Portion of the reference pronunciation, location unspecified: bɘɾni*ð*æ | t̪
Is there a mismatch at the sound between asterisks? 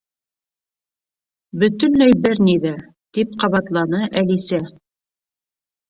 no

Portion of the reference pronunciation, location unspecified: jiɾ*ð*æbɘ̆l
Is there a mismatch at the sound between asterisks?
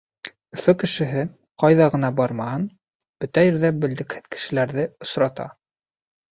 no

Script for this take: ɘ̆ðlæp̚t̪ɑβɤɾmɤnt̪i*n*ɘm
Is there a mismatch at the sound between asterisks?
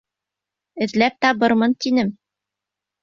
no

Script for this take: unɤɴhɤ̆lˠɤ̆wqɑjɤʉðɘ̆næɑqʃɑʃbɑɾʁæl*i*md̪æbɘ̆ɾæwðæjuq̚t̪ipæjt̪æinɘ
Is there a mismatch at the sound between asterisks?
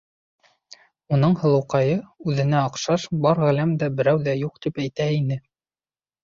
yes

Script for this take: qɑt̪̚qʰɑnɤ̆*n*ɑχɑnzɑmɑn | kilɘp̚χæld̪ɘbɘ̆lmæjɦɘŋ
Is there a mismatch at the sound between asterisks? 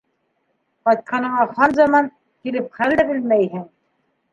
yes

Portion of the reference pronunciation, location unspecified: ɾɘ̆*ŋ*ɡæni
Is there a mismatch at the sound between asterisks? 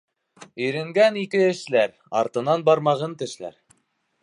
no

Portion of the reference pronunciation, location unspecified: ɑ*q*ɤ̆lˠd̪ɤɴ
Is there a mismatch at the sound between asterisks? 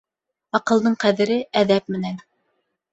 no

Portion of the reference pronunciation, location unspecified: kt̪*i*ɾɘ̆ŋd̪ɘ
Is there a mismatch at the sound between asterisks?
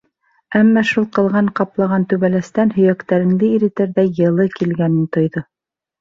yes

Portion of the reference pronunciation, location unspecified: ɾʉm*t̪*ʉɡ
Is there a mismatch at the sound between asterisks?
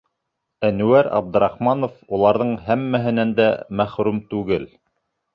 no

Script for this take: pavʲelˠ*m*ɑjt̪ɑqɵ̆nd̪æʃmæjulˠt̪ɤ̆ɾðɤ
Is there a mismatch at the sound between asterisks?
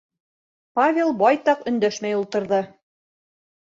yes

